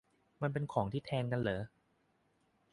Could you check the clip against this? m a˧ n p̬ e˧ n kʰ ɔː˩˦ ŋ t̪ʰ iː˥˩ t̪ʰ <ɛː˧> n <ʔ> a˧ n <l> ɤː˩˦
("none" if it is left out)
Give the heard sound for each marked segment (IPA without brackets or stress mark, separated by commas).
ɛː˧, k, l